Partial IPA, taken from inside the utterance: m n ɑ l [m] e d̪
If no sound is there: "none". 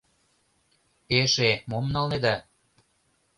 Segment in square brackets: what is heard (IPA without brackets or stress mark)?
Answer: n